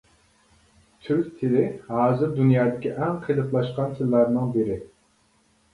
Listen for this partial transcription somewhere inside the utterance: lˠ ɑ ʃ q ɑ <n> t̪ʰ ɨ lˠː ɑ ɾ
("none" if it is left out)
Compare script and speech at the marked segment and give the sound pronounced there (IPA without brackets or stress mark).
n